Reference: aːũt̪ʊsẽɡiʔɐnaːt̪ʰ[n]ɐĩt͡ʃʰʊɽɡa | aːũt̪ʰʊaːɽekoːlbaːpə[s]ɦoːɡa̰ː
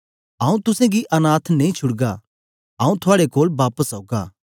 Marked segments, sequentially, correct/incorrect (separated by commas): correct, correct